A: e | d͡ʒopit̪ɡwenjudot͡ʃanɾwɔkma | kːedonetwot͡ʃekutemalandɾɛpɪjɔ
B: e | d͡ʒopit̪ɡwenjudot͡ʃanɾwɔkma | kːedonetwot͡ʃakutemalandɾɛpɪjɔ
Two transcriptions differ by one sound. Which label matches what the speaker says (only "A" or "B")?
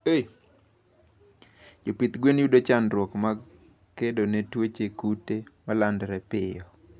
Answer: A